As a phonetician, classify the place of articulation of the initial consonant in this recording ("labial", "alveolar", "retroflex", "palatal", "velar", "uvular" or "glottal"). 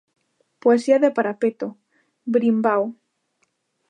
labial